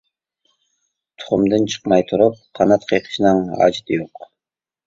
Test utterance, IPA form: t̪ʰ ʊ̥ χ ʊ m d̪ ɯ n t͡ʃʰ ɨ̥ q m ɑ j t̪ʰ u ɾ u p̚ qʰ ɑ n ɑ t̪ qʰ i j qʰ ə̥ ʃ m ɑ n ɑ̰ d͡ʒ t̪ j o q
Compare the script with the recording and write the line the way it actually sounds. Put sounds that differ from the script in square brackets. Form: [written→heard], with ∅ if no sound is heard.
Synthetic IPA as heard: t̪ʰ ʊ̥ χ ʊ m d̪ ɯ n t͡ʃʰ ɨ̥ q m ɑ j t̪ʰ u ɾ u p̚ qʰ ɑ n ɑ t̪ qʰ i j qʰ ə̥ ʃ [m→n] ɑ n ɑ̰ d͡ʒ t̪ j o q

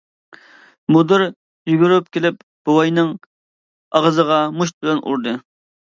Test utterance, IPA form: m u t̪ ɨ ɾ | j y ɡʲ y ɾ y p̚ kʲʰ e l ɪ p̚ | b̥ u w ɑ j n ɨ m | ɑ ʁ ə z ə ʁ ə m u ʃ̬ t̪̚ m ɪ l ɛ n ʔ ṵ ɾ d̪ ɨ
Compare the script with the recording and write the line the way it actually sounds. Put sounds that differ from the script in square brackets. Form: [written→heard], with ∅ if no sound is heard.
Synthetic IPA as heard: m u [t̪→d̪] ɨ ɾ | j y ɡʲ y ɾ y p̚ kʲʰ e l ɪ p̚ | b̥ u w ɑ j n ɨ [m→ŋ] | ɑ ʁ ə z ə ʁ [ə→ɑ] m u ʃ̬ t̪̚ [m→b] ɪ l ɛ n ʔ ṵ ɾ d̪ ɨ

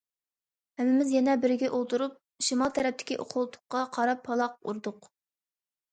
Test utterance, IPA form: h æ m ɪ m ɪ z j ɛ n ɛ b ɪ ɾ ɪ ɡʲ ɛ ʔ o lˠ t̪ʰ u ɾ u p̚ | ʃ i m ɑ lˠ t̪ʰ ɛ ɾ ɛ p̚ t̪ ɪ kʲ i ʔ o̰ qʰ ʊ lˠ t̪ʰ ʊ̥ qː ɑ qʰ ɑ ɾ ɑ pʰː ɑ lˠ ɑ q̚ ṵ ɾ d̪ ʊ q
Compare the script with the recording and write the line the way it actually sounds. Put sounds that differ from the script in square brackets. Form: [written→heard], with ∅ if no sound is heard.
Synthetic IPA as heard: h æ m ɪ m ɪ z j ɛ n ɛ b ɪ ɾ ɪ ɡʲ ɛ ʔ o lˠ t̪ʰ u ɾ u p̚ | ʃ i m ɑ lˠ t̪ʰ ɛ ɾ ɛ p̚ t̪ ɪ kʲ i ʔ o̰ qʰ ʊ lˠ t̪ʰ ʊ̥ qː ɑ qʰ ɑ ɾ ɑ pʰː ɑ lˠ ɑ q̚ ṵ ɾ d̪ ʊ q

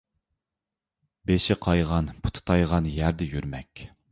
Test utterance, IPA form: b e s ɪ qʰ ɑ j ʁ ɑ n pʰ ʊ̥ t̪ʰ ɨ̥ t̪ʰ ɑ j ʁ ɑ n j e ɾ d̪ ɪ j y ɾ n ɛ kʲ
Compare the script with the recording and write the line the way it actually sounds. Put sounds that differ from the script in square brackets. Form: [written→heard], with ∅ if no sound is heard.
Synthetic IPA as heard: b e [s→ʃ] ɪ qʰ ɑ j ʁ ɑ n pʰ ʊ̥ t̪ʰ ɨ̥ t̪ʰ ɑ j ʁ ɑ n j [e→æ] ɾ d̪ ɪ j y ɾ [n→m] ɛ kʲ

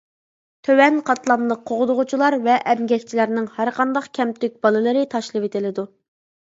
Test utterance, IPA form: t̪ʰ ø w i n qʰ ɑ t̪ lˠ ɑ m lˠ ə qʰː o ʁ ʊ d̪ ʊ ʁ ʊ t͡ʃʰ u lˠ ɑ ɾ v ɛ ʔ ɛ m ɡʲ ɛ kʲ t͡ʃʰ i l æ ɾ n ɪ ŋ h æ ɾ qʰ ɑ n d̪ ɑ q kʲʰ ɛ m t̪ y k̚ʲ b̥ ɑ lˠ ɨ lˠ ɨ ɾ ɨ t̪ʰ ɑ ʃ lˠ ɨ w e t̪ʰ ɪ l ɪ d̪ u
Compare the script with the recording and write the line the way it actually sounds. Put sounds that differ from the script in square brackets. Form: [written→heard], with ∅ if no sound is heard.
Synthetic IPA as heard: t̪ʰ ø w [i→ɛ] n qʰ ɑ t̪ lˠ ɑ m lˠ ə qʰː o ʁ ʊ d̪ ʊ ʁ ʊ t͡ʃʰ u lˠ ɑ ɾ v ɛ ʔ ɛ m ɡʲ ɛ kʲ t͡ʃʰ i l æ ɾ n ɪ ŋ h æ ɾ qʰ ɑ n d̪ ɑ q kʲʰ ɛ m t̪ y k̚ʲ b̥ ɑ lˠ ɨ lˠ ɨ ɾ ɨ t̪ʰ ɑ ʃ lˠ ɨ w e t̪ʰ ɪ l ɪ d̪ u

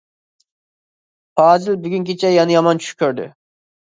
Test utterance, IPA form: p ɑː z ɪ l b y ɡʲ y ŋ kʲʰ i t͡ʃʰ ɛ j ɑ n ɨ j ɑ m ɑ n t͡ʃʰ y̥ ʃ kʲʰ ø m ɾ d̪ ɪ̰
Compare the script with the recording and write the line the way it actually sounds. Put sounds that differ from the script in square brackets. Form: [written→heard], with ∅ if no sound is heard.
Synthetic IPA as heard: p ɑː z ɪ l b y ɡʲ y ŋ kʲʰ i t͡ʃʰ ɛ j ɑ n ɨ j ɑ m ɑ n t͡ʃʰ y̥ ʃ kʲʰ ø [m→∅] ɾ d̪ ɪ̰

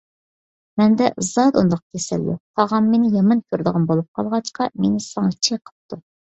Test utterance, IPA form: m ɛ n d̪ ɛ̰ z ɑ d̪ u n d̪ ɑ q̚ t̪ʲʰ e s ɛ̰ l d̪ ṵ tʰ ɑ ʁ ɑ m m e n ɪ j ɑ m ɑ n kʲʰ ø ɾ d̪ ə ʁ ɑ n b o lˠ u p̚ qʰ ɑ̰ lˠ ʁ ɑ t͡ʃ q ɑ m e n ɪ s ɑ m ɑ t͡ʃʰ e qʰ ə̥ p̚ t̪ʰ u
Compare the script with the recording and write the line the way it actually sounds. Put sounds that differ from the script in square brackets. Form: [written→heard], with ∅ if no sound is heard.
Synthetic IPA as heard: m ɛ n d̪ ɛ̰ z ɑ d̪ u n d̪ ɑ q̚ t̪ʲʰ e s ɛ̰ l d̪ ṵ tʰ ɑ ʁ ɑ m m e n ɪ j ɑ m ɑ n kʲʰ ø ɾ d̪ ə ʁ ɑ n b o lˠ u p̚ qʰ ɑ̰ lˠ ʁ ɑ t͡ʃ q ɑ m e n ɪ s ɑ [m→ŋ] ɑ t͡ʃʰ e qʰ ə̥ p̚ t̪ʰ u

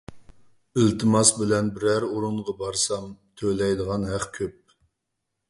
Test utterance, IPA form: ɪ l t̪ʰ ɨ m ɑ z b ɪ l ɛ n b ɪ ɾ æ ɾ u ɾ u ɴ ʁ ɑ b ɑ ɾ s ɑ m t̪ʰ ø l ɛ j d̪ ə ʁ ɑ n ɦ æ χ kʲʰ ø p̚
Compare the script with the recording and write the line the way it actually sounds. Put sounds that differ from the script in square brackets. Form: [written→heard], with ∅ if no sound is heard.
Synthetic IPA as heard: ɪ l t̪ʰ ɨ m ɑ [z→s] b ɪ l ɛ n b ɪ ɾ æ ɾ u ɾ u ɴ ʁ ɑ b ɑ ɾ s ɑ m t̪ʰ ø l ɛ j d̪ ə ʁ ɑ n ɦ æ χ kʲʰ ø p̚

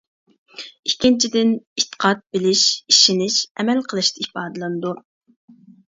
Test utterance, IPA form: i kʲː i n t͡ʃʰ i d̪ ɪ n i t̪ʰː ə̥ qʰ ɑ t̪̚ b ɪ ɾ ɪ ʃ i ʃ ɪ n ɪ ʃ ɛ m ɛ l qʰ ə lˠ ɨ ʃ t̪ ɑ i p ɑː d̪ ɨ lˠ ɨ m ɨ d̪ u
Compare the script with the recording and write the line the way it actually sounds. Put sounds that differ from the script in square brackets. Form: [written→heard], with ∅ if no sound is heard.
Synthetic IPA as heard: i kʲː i n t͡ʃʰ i d̪ ɪ n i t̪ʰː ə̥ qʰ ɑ t̪̚ b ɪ [ɾ→l] ɪ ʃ i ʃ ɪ n ɪ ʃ ɛ m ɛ l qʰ ə lˠ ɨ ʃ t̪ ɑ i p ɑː d̪ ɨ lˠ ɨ [m→n] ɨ d̪ u

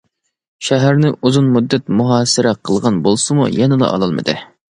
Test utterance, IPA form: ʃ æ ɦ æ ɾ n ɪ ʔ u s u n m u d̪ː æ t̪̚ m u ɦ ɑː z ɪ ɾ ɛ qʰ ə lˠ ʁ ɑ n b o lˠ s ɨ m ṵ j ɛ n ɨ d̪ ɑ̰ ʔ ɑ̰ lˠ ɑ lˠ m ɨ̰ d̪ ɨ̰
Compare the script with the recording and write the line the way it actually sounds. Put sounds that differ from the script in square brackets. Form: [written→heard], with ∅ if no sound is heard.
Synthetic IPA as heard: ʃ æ ɦ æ ɾ n ɪ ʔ u [s→z] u n m u d̪ː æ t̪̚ m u ɦ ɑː [z→s] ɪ ɾ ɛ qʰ ə lˠ ʁ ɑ n b o lˠ s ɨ m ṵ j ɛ n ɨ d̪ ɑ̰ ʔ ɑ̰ lˠ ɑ lˠ m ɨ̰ d̪ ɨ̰

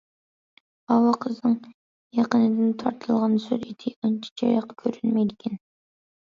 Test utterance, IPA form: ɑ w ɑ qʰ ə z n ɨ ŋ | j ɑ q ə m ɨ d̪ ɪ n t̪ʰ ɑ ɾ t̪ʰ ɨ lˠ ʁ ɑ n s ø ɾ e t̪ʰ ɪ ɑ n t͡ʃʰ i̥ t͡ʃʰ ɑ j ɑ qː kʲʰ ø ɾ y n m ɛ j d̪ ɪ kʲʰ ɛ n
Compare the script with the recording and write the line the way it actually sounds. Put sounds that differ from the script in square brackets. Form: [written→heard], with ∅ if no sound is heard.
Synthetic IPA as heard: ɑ w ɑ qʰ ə z n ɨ ŋ | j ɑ q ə [m→n] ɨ d̪ ɪ n t̪ʰ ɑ ɾ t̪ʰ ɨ lˠ ʁ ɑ n s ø ɾ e t̪ʰ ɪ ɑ n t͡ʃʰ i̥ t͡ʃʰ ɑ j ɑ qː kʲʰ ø ɾ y n m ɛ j d̪ ɪ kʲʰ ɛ n

